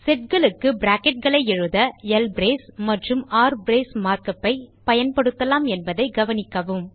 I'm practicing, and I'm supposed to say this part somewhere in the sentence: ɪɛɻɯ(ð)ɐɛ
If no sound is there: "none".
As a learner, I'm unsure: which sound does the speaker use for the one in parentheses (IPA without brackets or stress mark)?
ð